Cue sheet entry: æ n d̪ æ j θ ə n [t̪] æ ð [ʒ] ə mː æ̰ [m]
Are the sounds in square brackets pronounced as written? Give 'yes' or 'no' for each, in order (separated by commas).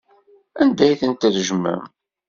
yes, yes, yes